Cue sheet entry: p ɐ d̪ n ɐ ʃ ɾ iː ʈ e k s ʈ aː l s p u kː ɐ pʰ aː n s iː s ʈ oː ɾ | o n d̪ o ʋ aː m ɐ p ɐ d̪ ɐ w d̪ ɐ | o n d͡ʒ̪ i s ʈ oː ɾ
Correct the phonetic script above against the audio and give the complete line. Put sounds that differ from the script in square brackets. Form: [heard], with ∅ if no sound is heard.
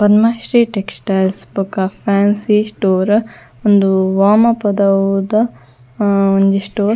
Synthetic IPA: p ɐ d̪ [m] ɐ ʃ ɾ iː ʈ e k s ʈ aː l s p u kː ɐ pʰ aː n s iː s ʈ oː ɾ | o n d̪ [u] ʋ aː m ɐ p ɐ d̪ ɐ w d̪ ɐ | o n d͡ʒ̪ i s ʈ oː ɾ